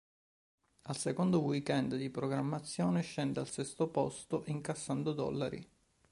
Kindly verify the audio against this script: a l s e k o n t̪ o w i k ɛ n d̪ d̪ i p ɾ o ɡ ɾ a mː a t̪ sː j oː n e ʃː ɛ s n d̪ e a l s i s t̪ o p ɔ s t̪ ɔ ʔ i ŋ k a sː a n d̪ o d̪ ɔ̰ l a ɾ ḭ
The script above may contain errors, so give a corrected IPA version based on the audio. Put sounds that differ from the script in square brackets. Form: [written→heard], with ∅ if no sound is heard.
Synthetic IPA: a l s e k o n [t̪→d̪] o w i k ɛ n d̪ d̪ i p ɾ o ɡ ɾ a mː a t̪ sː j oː n e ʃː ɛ [s→∅] n d̪ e a l s [i→ɛ] s t̪ o p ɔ s t̪ [ɔ→o] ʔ i ŋ k a sː a n d̪ o d̪ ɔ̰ [l→lː] a ɾ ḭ